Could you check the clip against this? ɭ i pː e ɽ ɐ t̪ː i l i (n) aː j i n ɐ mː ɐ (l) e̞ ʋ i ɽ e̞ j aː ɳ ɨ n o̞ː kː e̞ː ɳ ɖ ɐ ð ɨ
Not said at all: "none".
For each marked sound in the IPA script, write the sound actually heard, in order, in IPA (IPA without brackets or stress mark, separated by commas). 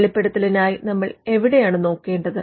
n, ɭ